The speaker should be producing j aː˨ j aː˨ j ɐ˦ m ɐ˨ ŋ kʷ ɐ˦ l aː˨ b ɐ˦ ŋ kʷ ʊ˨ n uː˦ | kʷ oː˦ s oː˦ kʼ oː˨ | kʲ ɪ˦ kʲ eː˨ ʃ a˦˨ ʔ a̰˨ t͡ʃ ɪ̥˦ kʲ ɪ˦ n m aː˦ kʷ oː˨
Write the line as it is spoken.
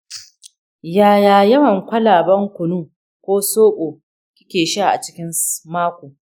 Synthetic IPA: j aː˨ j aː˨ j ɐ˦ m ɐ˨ ŋ kʷ ɐ˦ l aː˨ b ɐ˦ ŋ kʷ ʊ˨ n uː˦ | kʷ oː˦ s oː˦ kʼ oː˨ | kʲ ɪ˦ kʲ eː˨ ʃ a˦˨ ʔ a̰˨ t͡ʃ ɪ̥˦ kʲ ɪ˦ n m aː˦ kʷ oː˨